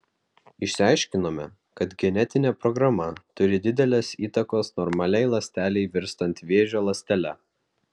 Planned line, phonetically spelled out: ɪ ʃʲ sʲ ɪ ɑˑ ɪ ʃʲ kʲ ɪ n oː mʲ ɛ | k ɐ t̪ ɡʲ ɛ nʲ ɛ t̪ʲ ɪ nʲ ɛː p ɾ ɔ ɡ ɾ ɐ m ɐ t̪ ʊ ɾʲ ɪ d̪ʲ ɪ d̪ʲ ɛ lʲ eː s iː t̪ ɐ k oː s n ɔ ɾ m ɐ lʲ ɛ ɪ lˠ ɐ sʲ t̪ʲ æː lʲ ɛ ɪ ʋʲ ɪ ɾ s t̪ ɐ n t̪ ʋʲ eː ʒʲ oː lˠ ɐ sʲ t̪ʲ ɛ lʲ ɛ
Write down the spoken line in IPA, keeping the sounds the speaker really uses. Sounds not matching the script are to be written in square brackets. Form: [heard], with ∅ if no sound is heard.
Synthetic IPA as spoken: ɪ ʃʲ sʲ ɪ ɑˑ ɪ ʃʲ kʲ ɪ n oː mʲ ɛ | k ɐ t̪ ɡʲ ɛ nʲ ɛ t̪ʲ ɪ nʲ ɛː p ɾ ɔ ɡ ɾ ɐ m ɐ t̪ ʊ ɾʲ ɪ d̪ʲ ɪ d̪ʲ ɛ lʲ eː s iː t̪ ɐ k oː s n ɔ ɾ m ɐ lʲ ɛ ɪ lˠ ɐ sʲ t̪ʲ æː lʲ ɛ ɪ ʋʲ ɪ ɾ s t̪ ɐ n t̪ ʋʲ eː ʒʲ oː lˠ ɐ sʲ t̪ʲ ɛ lʲ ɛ

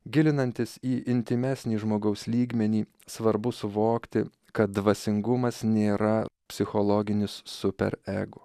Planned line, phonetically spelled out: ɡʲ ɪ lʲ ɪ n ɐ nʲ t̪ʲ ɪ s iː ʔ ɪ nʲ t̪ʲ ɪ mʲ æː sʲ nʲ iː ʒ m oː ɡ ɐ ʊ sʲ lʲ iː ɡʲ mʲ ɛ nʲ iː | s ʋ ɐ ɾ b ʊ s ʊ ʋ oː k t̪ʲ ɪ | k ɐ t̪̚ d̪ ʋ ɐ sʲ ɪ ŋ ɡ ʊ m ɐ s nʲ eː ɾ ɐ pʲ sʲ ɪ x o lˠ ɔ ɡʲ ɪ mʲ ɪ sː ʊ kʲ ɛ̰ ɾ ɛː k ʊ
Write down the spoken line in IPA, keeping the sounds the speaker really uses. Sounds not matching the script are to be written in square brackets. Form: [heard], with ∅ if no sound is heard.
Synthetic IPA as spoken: ɡʲ ɪ lʲ ɪ n ɐ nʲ t̪ʲ ɪ s iː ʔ ɪ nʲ t̪ʲ ɪ mʲ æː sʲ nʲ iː ʒ m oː ɡ ɐ ʊ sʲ lʲ iː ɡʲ mʲ ɛ nʲ iː | s ʋ ɐ ɾ b ʊ s ʊ ʋ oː k t̪ʲ ɪ | k ɐ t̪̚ d̪ ʋ ɐ sʲ ɪ ŋ ɡ ʊ m ɐ s nʲ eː ɾ ɐ pʲ sʲ ɪ x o lˠ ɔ ɡʲ ɪ [nʲ] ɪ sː ʊ [pʲ] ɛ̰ ɾ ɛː [ɡ] ʊ

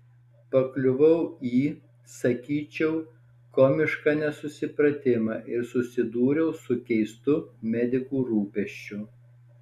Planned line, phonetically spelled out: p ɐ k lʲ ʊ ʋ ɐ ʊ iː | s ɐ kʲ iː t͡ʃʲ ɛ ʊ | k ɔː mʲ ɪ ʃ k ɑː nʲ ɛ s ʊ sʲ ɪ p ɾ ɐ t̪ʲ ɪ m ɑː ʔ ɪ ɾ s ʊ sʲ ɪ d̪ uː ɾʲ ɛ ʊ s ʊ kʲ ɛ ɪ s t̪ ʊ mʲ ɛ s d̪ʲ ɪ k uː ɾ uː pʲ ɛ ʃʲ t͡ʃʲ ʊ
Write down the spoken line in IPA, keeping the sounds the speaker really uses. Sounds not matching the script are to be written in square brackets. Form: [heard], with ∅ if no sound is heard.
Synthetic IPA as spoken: p ɐ k lʲ ʊ ʋ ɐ ʊ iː | s ɐ kʲ iː t͡ʃʲ ɛ ʊ | k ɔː mʲ ɪ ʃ k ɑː nʲ ɛ s ʊ sʲ ɪ p ɾ ɐ t̪ʲ ɪ m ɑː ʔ ɪ ɾ s ʊ sʲ ɪ d̪ uː ɾʲ ɛ ʊ s ʊ kʲ ɛ ɪ s t̪ ʊ mʲ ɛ [∅] d̪ʲ ɪ k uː ɾ uː pʲ ɛ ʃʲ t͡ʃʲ ʊ

